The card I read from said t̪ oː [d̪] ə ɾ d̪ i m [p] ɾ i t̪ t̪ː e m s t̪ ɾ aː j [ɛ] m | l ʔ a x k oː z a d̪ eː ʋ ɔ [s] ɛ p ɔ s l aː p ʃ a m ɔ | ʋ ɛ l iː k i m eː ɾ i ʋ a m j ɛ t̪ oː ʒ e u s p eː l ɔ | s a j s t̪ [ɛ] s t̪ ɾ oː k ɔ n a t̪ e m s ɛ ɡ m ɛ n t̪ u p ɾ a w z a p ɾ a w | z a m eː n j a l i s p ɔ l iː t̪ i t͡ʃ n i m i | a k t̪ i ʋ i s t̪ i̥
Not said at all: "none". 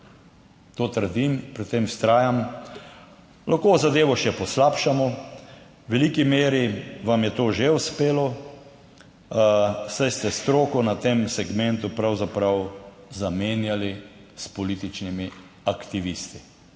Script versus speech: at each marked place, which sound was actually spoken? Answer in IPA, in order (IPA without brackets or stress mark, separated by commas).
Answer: t̪, p, a, ʃ, ɛ